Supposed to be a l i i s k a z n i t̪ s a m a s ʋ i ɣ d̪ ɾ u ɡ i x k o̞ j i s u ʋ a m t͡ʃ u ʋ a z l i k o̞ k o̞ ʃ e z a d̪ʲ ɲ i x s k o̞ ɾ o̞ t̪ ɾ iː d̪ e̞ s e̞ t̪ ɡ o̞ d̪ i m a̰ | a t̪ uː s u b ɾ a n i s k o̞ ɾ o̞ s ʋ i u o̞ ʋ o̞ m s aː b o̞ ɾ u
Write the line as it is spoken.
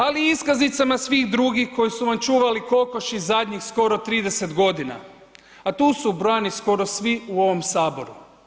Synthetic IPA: a l i i s k a z n i t̪ s a m a s ʋ i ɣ d̪ ɾ u ɡ i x k o̞ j i s u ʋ a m t͡ʃ uː ʋ a l i k o̞ k o̞ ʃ i z a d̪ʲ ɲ i x s k o̞ ɾ o̞ t̪ ɾ iː d̪ e̞ s e̞ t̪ ɡ o̞ d̪ i n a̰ | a t̪ uː s u b ɾ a n i s k o̞ ɾ o̞ s ʋ i u o̞ ʋ o̞ m s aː b o̞ ɾ u